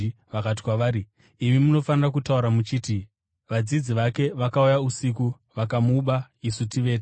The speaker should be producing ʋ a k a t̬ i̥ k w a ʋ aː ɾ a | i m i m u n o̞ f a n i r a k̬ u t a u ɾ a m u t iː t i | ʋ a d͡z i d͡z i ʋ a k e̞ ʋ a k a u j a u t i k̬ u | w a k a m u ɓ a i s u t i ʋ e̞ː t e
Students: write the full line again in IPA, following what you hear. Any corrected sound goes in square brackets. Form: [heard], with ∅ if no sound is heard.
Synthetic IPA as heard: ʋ a k a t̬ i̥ k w a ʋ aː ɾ [i] | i m i m u n o̞ f a n i r a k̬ u t a u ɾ a m u [t͡ʃ] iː t i | ʋ a d͡z i d͡z i ʋ a k e̞ ʋ a k a u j a u [s] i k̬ u | [ʋ] a k a m u ɓ a i s u t i ʋ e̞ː t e